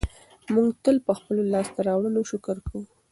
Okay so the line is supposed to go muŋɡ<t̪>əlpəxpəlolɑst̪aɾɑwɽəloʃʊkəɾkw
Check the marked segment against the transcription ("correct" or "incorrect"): correct